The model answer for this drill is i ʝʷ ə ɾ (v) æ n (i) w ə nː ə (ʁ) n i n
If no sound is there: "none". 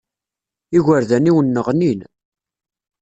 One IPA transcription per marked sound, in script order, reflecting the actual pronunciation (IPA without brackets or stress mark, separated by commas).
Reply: ð, i, ʁ